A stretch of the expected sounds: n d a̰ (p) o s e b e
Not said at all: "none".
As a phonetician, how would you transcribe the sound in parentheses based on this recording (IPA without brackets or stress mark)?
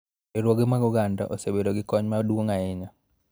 ʔ